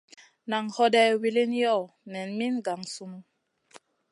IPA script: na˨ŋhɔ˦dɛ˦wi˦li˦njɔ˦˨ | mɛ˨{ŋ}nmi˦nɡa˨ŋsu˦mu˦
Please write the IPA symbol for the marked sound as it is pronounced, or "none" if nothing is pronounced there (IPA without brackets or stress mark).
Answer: none